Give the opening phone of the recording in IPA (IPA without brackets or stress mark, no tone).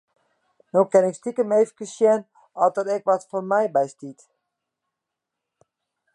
n